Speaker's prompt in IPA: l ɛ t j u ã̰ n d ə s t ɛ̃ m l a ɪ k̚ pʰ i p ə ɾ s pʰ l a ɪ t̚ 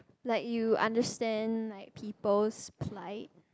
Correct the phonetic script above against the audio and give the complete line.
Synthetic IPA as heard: l ɛ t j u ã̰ n d ə s t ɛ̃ n l a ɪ k̚ pʰ i p ə l s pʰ l a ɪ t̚